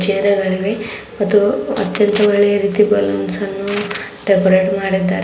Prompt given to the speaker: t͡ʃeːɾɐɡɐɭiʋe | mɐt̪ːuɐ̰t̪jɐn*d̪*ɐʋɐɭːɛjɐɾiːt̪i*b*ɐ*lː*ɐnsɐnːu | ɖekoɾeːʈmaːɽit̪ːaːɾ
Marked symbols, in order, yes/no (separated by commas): no, yes, no